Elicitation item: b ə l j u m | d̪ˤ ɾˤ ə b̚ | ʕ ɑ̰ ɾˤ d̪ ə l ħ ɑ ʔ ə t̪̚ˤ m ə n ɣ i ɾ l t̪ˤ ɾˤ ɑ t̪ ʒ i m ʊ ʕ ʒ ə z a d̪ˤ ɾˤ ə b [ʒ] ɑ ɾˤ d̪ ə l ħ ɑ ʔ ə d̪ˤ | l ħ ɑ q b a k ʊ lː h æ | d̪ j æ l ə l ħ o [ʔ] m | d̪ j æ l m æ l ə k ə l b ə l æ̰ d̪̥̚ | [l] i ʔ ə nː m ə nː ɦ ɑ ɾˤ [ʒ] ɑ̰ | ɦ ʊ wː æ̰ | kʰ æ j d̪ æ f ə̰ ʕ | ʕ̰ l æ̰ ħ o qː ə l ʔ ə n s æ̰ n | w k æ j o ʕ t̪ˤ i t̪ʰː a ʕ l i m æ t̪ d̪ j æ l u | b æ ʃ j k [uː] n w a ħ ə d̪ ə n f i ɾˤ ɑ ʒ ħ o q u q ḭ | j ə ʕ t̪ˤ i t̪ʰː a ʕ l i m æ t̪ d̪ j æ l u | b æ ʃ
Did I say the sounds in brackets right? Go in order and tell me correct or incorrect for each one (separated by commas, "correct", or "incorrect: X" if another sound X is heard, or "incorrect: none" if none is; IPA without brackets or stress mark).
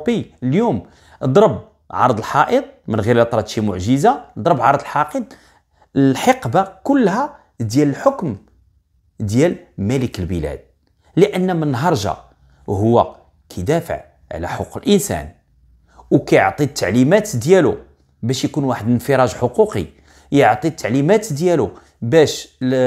incorrect: ʕ, incorrect: k, correct, correct, incorrect: u